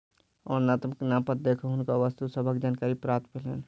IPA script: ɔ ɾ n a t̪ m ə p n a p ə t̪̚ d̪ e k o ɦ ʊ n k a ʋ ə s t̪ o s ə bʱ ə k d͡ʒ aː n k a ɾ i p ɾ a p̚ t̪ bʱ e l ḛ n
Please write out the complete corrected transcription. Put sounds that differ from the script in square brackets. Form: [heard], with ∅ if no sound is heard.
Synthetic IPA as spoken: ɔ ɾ n a t̪ m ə [k] n a p ə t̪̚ d̪ e [kʰ] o ɦ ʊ n k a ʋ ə s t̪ [u] s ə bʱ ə k d͡ʒ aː n k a ɾ i p ɾ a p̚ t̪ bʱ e l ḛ n